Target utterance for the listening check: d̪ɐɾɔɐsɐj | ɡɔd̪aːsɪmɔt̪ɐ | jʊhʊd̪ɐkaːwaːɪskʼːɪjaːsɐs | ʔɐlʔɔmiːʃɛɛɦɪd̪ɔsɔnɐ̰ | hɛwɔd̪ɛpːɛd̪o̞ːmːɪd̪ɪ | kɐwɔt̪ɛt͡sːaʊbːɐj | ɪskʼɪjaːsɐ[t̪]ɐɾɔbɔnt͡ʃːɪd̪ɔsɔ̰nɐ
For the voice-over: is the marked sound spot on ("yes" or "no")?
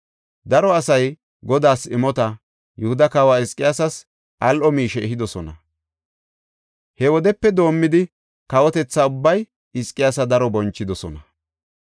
no